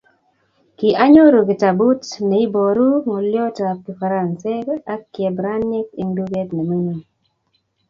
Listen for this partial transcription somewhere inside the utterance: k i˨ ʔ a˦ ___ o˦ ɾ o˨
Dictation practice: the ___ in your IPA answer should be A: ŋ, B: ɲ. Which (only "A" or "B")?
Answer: B